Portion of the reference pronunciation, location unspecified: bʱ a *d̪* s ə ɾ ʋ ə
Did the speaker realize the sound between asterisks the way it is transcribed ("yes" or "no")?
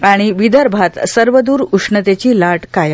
no